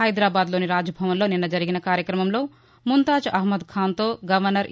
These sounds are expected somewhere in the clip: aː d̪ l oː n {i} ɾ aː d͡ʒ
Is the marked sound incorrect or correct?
correct